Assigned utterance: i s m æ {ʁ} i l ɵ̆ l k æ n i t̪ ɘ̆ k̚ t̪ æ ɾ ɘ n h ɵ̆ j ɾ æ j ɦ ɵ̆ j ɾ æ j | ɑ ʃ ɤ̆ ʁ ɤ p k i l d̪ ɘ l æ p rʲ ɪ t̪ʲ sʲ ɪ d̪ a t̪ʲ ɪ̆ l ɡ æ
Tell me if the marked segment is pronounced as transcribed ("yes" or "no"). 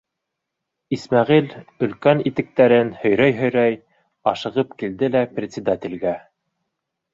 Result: yes